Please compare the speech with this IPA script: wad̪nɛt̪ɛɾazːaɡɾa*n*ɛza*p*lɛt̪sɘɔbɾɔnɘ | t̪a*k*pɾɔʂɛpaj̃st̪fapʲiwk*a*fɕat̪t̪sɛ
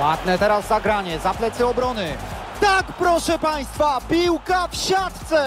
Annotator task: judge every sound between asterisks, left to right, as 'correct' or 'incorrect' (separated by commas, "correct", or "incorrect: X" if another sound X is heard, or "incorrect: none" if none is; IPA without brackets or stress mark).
incorrect: ɲ, correct, correct, correct